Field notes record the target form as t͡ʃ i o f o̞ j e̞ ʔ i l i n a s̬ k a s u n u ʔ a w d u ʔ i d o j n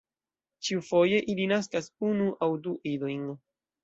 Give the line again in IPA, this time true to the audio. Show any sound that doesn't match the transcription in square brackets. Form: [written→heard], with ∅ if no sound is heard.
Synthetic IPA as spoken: t͡ʃ i [o→u] f o̞ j e̞ ʔ i l i n a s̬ k a s u n u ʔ a w d u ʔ i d o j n

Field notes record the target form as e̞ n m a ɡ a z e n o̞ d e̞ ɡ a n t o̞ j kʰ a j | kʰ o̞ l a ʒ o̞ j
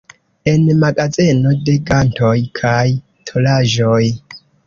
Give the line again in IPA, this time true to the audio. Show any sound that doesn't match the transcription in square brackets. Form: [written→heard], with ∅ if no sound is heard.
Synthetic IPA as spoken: e̞ n m a ɡ a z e n o̞ d e̞ ɡ a n t o̞ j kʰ a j | [kʰ→tʰ] o̞ l a ʒ o̞ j

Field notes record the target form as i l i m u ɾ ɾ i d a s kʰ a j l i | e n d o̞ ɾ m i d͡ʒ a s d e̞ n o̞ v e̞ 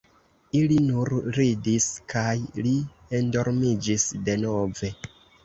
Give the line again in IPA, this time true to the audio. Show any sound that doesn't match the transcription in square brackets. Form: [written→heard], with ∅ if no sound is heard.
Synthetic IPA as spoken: i l i [m→n] u ɾ ɾ i d [a→i] s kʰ a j l i | e n d o̞ ɾ m i d͡ʒ [a→i] s d e̞ n o̞ v e̞

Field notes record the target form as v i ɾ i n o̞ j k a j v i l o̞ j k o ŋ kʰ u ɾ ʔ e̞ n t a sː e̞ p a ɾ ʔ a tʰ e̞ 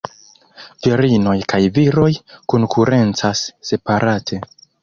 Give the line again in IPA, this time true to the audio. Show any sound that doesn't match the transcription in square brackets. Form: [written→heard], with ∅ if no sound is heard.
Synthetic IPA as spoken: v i ɾ i n o̞ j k a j v i [l→ɾ] o̞ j k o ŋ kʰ u ɾ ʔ e̞ n [t→t͡s] a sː e̞ p a ɾ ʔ a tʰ e̞

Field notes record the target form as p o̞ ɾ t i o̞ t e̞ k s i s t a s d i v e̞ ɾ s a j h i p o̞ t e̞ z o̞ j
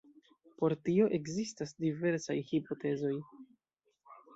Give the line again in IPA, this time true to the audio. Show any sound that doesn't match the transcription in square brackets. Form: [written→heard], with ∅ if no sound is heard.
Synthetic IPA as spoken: p o̞ ɾ t i o̞ [t→ʔ] e̞ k [s→z] i s t a s d i v e̞ ɾ s a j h i p o̞ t e̞ z o̞ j

